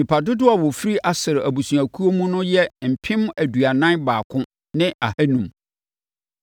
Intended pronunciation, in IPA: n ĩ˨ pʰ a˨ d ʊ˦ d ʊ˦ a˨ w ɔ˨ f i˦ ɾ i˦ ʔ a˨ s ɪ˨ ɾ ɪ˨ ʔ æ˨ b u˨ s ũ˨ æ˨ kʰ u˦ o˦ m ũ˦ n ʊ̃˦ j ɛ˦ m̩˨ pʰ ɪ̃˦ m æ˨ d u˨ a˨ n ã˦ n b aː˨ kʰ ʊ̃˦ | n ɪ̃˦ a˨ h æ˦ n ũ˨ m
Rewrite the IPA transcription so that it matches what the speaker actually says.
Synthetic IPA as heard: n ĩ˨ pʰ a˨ d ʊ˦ d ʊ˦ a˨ w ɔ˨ f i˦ ɾ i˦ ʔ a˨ s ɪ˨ ɾ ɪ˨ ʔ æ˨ b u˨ s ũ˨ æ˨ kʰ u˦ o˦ m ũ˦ n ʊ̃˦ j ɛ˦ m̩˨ pʰ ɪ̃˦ m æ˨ d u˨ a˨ n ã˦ n b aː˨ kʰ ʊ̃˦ | n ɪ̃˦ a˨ h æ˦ n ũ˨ m